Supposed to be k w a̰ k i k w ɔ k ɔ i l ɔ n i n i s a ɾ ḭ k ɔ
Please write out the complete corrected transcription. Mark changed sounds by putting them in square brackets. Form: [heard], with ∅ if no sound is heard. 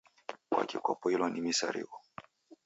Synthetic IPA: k w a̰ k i k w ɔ [p] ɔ i l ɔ n i [m] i s a ɾ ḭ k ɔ